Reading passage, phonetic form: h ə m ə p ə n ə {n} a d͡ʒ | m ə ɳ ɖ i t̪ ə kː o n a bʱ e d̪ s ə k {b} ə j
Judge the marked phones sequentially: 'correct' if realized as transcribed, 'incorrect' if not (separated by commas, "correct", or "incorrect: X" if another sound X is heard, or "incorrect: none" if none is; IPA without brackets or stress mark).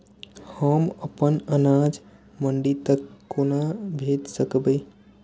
correct, correct